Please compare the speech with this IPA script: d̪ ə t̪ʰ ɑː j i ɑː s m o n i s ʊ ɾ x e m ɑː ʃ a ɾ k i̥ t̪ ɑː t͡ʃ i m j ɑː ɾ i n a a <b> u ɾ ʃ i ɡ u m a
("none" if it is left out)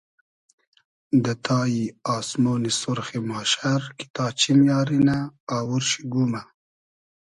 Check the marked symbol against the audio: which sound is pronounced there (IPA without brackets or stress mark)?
w